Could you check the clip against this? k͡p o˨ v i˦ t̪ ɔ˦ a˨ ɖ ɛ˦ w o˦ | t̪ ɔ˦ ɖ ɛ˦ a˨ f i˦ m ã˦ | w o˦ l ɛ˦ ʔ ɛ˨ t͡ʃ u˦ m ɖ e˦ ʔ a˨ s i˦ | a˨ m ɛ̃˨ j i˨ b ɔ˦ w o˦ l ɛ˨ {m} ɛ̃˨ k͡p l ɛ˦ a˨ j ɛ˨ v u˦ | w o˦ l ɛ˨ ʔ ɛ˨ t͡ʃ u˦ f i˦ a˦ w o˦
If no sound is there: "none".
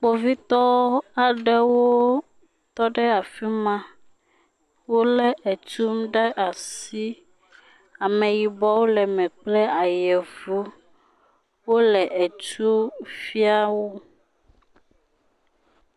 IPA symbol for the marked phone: m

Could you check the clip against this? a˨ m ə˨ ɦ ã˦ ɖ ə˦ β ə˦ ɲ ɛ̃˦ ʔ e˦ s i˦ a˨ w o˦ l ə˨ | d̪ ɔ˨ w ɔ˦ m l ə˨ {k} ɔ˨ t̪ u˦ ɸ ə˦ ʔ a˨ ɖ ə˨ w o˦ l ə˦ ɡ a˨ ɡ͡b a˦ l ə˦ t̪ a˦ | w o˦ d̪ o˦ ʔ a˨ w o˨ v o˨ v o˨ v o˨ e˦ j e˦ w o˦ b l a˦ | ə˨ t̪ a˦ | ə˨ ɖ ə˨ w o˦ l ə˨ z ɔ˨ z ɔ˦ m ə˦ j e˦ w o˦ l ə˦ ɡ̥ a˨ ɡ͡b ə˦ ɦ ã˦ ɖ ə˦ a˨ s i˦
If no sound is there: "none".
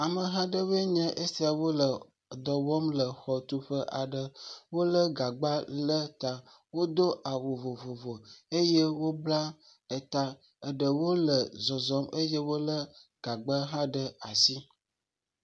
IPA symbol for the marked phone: x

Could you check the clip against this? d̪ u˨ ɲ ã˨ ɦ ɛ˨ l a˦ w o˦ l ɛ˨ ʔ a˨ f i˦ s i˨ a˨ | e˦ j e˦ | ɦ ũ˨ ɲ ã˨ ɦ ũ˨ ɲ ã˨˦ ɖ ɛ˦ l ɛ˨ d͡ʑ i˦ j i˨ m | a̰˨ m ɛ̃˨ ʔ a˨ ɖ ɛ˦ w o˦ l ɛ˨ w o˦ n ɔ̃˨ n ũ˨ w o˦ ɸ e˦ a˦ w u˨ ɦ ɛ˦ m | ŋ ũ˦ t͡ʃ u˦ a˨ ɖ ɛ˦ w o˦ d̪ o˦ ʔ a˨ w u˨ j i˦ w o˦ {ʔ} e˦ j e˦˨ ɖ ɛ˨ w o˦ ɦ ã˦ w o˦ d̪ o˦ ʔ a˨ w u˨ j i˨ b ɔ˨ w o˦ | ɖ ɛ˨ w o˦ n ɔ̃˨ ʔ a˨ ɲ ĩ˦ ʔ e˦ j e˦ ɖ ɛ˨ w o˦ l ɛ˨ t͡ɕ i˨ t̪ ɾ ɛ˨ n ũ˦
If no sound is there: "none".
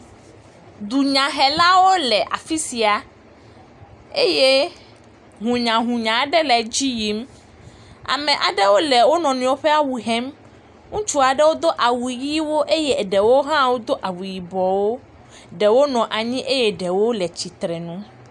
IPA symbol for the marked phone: ʔ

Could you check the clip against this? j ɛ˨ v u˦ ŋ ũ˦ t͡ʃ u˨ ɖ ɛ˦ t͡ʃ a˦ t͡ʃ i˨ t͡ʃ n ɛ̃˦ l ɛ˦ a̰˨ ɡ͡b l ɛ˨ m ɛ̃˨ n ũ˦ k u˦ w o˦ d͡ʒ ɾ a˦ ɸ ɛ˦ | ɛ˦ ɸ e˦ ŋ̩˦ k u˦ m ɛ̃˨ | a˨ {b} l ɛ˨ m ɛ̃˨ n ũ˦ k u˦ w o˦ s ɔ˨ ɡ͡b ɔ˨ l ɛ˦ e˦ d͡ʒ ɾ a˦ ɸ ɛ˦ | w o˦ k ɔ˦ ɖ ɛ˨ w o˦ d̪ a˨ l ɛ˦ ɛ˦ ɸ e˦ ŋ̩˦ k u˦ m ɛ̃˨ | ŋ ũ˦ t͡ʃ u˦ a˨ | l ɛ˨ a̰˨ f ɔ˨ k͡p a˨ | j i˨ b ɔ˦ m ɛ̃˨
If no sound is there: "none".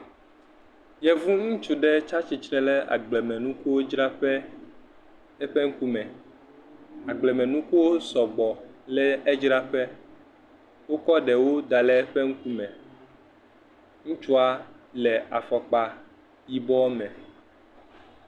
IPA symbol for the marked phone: ɡ͡b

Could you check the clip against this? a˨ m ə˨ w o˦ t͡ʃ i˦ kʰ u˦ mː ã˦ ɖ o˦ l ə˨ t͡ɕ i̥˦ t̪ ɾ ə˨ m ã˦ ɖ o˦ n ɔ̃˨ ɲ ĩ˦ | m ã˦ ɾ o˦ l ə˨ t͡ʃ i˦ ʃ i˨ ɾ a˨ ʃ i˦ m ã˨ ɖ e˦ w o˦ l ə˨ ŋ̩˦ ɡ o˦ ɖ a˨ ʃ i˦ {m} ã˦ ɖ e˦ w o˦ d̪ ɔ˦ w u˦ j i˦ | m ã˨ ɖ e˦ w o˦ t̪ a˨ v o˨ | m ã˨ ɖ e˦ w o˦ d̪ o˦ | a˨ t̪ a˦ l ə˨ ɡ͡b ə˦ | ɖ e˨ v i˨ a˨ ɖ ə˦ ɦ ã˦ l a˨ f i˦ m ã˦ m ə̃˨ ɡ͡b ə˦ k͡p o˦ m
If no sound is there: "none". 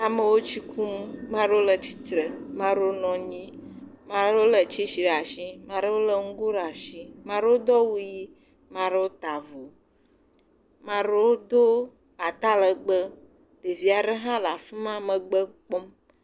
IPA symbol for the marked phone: m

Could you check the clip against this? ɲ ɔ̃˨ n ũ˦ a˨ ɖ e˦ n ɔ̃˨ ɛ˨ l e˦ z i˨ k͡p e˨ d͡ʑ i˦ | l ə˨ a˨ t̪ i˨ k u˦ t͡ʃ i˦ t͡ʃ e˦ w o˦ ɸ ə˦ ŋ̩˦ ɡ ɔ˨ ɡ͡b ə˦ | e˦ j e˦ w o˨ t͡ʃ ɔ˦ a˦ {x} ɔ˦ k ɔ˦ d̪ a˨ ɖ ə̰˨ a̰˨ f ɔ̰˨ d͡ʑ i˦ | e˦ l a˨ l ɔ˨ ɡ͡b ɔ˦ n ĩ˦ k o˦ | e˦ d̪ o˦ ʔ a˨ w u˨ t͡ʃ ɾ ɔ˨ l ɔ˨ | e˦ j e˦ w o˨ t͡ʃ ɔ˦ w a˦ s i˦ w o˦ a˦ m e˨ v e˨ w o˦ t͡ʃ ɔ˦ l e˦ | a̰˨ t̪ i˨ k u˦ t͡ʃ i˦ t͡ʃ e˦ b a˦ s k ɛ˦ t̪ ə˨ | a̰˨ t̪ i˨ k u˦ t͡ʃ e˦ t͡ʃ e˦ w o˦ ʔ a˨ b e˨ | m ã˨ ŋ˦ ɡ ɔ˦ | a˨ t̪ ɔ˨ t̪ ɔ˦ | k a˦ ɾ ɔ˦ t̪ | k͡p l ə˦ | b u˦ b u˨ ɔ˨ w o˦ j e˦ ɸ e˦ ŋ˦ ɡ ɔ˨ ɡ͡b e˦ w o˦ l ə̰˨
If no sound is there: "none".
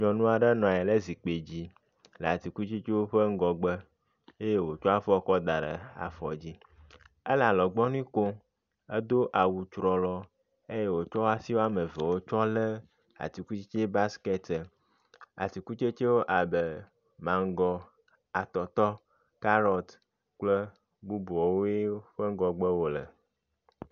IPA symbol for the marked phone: f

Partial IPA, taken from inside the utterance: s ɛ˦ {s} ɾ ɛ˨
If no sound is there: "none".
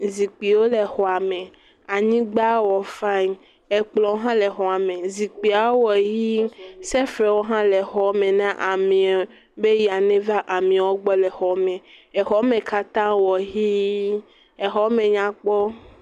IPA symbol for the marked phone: f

